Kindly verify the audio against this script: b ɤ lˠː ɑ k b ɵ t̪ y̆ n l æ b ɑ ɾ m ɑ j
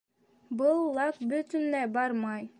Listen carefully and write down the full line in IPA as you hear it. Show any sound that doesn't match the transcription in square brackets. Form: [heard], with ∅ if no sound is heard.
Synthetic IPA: b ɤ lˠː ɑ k b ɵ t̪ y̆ n l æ b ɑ ɾ m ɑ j